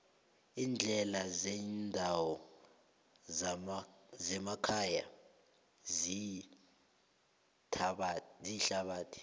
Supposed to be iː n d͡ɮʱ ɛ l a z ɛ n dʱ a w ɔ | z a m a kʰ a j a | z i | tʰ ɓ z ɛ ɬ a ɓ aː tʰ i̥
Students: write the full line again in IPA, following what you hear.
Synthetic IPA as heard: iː n d͡ɮʱ ɛ l a z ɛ n dʱ a w ɔ | z ɛ m a kʰ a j a | z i | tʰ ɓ z i ɬ a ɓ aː tʰ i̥

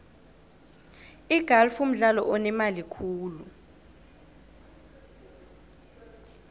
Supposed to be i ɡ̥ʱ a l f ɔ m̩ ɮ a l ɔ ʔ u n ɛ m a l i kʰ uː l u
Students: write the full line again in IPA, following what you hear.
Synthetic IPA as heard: i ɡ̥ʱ a l f u m̩ ɮ a l ɔ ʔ ɔ n ɛ m a l i kʰ uː l u

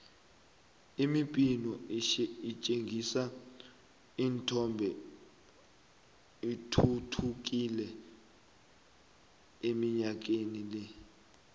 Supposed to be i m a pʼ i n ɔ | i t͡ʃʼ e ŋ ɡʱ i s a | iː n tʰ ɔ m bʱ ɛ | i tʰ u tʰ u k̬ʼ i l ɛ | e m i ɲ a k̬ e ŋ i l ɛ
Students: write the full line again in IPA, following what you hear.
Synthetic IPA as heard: i m i pʼ i n ɔ | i t͡ʃʼ e ŋ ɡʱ i s a | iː n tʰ ɔ m bʱ ɛ | i tʰ u tʰ u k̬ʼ i l ɛ | e m i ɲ a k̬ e n i l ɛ

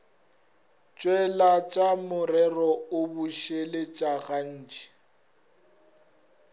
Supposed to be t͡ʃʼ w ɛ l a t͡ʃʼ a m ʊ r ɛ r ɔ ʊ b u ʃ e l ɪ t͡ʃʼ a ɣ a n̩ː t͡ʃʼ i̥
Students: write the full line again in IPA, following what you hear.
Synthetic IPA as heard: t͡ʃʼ w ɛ l a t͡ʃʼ a m ʊ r ɛ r ɔ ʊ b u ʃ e l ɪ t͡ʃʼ a ɣ a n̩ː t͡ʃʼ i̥

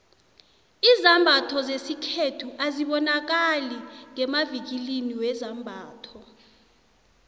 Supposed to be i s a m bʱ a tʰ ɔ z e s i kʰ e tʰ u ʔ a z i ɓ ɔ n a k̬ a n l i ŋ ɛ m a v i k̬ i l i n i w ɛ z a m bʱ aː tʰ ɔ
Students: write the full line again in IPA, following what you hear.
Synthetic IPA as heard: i z a m bʱ a tʰ ɔ z e s i kʰ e tʰ u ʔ a z i ɓ ɔ n a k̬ a l i ŋ ɛ m a v i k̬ i l i n i w ɛ z a m bʱ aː tʰ ɔ

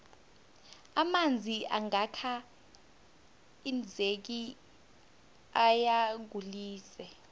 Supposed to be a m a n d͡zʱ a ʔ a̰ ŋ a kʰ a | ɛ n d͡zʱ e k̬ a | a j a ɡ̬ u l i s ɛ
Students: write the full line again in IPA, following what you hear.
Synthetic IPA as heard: a m a n d͡zʱ i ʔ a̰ ŋ a kʰ a | i n d͡zʱ e k̬ i | a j a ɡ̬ u l iː s ɛ

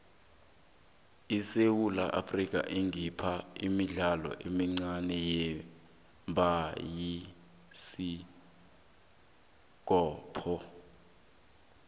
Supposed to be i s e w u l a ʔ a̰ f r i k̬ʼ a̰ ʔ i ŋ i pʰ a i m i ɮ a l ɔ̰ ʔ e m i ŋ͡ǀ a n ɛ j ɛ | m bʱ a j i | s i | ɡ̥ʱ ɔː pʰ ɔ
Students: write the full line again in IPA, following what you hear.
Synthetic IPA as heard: i s e w u l a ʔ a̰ f r i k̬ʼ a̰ ʔ i ŋ i pʰ a i m i ɮ a l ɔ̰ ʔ e m i ŋ͡ǀ a n ɛ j ɛ | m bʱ a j i | s i | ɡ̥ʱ ɔː pʰ ɔ

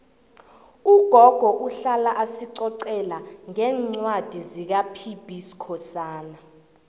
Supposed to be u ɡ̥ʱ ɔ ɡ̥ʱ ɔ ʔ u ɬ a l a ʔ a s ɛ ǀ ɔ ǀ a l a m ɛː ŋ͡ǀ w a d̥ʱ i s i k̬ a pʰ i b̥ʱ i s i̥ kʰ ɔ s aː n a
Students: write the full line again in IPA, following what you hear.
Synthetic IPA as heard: u ɡ̥ʱ ɔ ɡ̥ʱ ɔ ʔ u ɬ a l a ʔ a s i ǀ ɔ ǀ ɛ l a ŋ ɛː ŋ͡ǀ w a d̥ʱ i z i k̬ a pʰ i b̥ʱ i s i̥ kʰ ɔ s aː n a

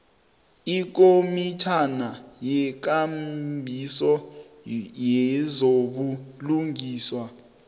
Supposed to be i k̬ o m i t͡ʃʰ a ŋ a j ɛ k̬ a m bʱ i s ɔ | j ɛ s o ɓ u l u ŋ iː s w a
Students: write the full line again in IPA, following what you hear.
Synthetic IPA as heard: i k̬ o m i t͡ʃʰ a n a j ɛ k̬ a m bʱ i s ɔ | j ɛ z o ɓ u l u ŋ iː s w a

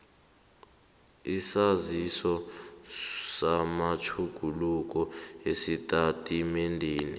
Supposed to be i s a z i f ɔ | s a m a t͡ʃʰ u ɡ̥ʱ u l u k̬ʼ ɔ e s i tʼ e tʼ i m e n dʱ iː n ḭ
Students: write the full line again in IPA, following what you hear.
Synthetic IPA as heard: i s a z i s ɔ | s a m a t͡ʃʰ u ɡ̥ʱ u l u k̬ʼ ɔ e s i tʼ a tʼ i m e n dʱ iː n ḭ

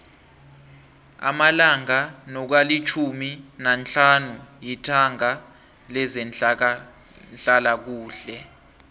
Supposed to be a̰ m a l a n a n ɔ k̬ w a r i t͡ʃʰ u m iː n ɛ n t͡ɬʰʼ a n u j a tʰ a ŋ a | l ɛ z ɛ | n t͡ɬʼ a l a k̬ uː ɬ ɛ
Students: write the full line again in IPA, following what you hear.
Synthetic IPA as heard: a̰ m a l a ŋ a n ɔ k̬ w a l i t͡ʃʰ u m i n a n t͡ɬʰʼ a n u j i tʰ a ŋ a | l ɛ z ɛ | n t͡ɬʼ a l a k̬ uː ɬ ɛ

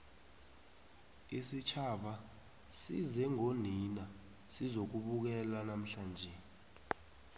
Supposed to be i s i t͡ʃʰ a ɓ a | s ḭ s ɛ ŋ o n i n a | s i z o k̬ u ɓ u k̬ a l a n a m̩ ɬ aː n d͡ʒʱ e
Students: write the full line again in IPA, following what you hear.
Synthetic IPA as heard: i s i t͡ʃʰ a ɓ a | s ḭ z ɛ ŋ o n i n a | s i z o k̬ u ɓ u k̬ ɛ l a n a m̩ ɬ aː n d͡ʒʱ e

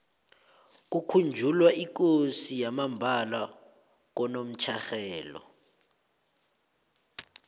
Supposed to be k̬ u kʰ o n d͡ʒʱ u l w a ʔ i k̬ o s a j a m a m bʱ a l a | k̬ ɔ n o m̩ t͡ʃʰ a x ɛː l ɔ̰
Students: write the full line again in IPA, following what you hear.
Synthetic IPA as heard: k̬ u kʰ u n d͡ʒʱ u l w a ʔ i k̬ o s i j a m a m bʱ a l a | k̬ ɔ n o m̩ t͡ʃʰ a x ɛː l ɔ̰

